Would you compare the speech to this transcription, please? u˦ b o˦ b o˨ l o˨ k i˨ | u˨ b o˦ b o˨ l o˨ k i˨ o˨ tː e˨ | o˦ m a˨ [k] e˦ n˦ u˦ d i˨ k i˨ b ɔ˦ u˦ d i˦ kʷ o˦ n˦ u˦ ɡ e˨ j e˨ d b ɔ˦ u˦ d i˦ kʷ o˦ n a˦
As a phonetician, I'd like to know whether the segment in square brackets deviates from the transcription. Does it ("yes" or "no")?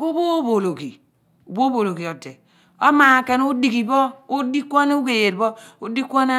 no